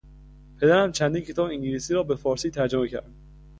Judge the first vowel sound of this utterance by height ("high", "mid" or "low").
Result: mid